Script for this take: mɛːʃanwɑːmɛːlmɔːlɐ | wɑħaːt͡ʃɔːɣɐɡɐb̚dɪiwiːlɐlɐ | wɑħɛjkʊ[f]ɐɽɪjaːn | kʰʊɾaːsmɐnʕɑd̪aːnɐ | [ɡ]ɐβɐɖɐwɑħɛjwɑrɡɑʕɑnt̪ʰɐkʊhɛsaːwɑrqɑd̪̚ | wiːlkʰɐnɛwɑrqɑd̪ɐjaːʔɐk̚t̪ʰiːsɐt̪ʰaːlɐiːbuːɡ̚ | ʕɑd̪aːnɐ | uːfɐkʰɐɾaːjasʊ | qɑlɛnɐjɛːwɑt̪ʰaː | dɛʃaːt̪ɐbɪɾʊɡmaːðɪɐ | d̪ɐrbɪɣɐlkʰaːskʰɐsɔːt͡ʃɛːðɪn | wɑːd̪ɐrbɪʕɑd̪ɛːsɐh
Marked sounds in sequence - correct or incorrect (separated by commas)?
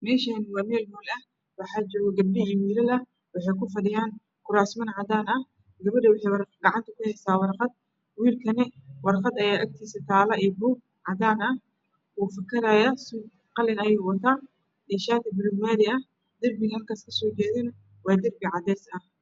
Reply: correct, correct